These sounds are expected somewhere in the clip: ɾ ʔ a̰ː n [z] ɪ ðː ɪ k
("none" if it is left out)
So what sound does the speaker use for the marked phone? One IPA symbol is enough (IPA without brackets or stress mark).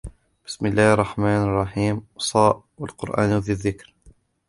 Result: ð